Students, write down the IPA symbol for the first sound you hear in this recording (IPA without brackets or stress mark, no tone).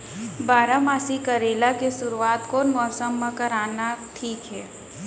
b